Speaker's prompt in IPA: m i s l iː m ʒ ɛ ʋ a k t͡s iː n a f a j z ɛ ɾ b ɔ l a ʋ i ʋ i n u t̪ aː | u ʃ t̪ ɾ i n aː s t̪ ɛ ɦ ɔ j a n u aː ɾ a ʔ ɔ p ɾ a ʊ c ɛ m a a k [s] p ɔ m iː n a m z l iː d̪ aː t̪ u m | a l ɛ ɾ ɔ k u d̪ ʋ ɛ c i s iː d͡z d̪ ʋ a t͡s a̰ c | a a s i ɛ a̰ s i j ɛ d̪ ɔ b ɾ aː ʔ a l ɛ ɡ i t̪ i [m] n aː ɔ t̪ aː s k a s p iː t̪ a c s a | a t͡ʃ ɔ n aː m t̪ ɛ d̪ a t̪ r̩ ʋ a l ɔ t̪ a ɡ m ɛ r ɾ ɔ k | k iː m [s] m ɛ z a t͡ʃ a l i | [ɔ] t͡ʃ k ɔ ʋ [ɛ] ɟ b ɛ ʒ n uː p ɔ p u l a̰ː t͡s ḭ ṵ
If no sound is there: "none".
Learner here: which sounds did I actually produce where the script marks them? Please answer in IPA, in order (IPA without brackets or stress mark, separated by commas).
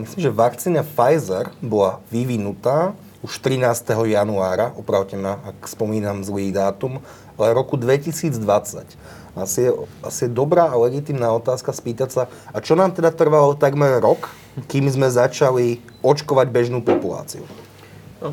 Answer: s, m, z, ɔ, a